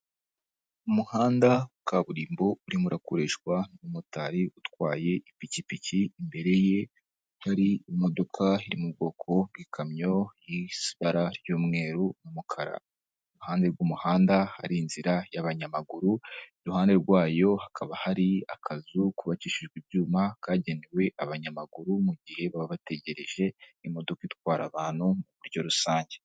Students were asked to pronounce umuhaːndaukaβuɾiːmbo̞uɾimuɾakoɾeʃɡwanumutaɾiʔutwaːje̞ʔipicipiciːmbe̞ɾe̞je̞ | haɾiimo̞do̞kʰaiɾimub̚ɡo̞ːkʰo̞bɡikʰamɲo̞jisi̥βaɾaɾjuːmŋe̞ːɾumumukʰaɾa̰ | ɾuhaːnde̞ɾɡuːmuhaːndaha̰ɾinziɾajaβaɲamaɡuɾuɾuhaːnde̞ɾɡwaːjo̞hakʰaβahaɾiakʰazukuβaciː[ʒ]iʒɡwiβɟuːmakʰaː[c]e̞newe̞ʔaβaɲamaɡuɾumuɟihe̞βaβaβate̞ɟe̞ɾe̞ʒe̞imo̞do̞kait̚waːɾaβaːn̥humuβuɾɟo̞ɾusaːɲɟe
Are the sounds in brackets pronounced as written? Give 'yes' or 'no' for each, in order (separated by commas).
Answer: no, no